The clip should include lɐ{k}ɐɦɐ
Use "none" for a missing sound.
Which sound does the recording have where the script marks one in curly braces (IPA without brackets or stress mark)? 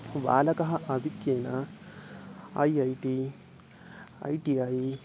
k